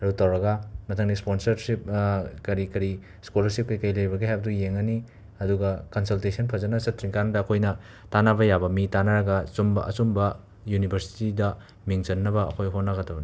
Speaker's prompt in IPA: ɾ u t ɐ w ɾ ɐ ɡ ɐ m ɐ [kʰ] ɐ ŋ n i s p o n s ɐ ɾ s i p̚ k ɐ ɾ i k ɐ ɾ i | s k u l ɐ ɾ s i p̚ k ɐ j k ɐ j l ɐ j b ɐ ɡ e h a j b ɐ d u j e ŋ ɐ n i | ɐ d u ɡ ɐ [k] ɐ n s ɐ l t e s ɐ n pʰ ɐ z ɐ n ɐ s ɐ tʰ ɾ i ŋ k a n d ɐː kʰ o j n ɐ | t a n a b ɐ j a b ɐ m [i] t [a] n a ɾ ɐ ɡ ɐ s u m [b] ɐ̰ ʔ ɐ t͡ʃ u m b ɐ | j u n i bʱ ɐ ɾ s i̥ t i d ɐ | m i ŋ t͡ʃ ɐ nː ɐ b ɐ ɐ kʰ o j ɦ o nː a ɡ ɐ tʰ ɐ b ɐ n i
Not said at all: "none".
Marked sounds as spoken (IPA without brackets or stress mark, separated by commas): tʰ, k, i, a, b